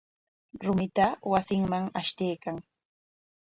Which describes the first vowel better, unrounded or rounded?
rounded